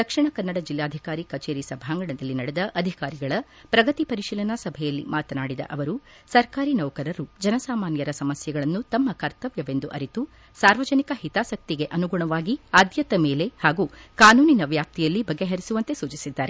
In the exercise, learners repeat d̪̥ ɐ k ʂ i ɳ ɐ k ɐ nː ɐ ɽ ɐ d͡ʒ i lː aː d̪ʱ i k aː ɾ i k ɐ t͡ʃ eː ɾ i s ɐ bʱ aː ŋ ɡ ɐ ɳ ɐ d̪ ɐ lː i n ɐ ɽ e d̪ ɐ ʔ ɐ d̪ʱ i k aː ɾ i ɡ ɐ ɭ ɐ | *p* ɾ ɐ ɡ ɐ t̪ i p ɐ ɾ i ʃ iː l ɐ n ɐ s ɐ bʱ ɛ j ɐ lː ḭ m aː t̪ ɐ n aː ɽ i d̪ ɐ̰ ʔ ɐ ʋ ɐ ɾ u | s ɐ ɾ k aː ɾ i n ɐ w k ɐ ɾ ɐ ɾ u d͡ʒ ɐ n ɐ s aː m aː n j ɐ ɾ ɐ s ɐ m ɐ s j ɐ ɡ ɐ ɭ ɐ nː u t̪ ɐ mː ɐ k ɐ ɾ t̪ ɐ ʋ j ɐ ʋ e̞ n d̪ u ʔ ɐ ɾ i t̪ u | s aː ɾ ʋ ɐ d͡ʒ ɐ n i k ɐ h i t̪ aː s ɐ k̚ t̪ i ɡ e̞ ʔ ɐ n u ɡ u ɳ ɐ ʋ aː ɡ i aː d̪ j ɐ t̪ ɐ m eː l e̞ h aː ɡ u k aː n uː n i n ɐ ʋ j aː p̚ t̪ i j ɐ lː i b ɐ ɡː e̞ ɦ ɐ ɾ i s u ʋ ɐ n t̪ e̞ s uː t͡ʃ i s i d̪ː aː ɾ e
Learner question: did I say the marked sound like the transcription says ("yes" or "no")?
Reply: yes